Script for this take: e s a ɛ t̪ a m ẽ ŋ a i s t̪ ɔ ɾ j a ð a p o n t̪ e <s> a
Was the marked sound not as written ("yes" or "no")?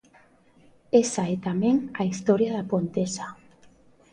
no